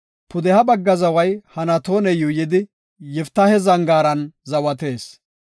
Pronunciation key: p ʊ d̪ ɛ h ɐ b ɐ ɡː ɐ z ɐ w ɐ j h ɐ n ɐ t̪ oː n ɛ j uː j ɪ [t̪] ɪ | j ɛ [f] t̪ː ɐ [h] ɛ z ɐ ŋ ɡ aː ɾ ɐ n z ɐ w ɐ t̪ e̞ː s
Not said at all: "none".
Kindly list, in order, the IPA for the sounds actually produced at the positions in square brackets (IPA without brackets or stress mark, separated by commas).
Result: d̪, f, h